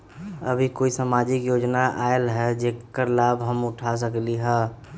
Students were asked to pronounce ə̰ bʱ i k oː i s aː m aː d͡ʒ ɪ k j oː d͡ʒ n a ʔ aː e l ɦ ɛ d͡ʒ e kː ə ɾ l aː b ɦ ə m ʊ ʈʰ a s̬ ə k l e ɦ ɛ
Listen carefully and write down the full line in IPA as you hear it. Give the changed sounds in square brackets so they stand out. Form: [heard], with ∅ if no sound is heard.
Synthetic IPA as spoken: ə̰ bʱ i k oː i s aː m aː d͡ʒ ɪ k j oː d͡ʒ n a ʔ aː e l ɦ ɛ d͡ʒ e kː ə ɾ l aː b ɦ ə m ʊ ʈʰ a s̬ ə k l [i] ɦ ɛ